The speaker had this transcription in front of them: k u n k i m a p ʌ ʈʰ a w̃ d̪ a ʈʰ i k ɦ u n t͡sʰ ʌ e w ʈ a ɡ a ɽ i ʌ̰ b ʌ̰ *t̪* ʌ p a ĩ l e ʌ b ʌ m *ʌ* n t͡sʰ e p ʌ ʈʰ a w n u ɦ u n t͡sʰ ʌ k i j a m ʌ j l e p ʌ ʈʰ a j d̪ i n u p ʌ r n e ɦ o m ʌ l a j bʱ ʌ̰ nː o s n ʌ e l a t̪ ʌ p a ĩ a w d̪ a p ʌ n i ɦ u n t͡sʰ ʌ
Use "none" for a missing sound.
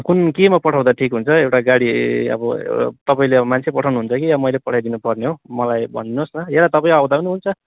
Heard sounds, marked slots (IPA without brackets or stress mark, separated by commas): t̪, a